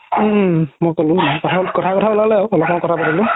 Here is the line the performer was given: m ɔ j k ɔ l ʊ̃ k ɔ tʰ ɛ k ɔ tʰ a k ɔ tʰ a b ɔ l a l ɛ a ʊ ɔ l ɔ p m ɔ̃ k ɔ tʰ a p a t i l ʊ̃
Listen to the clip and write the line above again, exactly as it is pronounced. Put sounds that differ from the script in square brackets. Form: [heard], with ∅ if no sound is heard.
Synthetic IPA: m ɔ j k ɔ l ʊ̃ k ɔ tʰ [a] k ɔ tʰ a k ɔ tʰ a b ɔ l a l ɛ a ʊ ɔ l ɔ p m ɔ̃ k ɔ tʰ a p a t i l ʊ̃